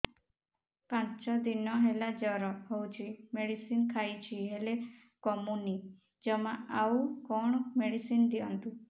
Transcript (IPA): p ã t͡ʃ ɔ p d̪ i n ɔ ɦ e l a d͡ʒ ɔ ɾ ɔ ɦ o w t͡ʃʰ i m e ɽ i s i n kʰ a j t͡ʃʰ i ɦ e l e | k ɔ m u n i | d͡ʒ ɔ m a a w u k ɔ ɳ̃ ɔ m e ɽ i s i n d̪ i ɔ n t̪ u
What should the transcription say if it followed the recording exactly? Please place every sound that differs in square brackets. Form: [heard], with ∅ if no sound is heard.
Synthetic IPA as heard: p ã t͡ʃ ɔ [∅] d̪ i n ɔ ɦ e l a d͡ʒ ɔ ɾ ɔ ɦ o w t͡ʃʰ i m e ɽ i s i n kʰ a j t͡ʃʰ i ɦ e l e | k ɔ m u n i | d͡ʒ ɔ m a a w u k ɔ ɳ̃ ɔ m e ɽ i s i n d̪ i ɔ n t̪ u